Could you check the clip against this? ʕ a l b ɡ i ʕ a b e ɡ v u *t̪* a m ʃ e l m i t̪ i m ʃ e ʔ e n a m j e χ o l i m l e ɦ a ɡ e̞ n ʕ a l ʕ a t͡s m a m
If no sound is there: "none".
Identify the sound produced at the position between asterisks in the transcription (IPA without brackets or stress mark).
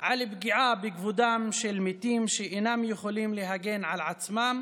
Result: d̪